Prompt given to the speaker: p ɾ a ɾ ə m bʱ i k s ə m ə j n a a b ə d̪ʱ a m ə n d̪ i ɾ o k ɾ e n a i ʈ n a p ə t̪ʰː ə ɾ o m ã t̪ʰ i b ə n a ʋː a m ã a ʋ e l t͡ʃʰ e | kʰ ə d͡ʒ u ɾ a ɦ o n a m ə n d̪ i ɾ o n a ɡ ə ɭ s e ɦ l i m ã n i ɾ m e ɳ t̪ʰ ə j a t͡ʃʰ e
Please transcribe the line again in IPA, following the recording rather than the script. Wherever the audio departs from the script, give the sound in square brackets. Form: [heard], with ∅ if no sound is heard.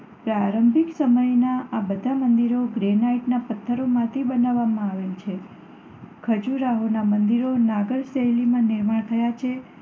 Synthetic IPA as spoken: p ɾ a ɾ ə m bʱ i k s ə m ə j n a a b ə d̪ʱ a m ə n d̪ i ɾ o [ɡ] ɾ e n a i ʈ n a p ə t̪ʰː ə ɾ o m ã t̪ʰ i b ə n a ʋː a m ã a ʋ e l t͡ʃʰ e | kʰ ə d͡ʒ u ɾ a ɦ o n a m ə n d̪ i ɾ o n a ɡ ə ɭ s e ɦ l i m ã n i ɾ m [a] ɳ t̪ʰ ə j a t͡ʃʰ e